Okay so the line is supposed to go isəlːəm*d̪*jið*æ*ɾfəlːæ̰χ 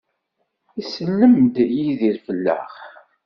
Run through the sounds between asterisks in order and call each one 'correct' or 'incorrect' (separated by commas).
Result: correct, incorrect